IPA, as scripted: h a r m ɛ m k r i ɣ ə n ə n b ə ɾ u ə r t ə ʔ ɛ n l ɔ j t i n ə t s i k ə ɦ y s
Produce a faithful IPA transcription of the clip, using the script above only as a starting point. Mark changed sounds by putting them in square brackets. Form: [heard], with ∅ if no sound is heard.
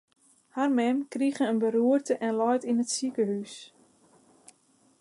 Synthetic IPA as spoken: h a r m ɛ m k r i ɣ ə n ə n b ə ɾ u ə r t ə ʔ ɛ n l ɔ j t i n ə t s i k ə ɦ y s